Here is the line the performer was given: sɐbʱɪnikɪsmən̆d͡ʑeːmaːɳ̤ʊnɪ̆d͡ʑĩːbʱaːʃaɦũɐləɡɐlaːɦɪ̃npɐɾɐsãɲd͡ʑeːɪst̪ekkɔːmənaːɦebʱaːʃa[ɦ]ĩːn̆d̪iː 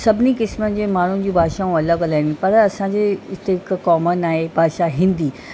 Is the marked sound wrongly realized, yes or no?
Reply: no